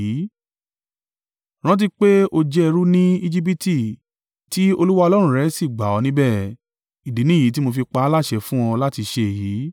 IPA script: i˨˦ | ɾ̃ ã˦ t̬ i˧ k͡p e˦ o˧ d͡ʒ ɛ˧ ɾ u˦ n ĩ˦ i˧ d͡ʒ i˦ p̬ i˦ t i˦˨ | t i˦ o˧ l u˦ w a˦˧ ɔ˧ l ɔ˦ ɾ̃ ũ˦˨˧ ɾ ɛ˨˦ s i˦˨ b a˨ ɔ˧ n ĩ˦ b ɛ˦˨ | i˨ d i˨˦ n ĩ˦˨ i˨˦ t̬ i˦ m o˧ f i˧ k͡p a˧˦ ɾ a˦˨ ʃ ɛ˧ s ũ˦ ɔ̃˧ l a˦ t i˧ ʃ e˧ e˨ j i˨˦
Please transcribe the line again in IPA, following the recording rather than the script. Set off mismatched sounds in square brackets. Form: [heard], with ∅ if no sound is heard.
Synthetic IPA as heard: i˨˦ | ɾ̃ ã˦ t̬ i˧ k͡p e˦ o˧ d͡ʒ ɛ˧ ɾ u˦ n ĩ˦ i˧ d͡ʒ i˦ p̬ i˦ t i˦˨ | t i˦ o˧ l u˦ w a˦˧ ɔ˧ l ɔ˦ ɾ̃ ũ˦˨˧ ɾ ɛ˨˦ s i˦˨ [ɡ͡b] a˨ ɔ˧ n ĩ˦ b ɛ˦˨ | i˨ d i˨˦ n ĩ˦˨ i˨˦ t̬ i˦ m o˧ f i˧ k͡p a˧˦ [l] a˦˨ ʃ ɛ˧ [f] ũ˦ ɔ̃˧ l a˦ t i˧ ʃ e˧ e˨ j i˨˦